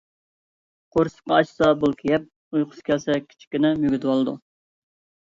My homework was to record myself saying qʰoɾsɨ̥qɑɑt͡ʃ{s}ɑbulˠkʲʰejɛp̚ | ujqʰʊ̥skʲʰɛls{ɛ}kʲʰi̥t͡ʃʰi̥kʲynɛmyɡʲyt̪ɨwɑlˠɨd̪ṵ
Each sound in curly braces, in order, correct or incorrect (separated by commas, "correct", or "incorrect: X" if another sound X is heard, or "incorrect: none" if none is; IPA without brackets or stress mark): correct, correct